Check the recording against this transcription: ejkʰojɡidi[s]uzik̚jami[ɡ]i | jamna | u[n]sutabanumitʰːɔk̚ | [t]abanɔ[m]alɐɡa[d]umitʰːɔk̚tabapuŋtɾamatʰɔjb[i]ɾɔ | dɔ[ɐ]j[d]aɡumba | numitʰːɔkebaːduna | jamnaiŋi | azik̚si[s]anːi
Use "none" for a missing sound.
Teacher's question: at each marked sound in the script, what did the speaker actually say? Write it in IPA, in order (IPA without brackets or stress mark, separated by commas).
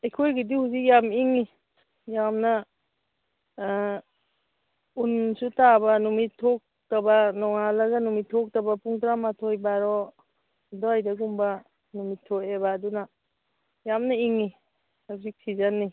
h, ŋ, n, t, ŋ, n, a, a, d, z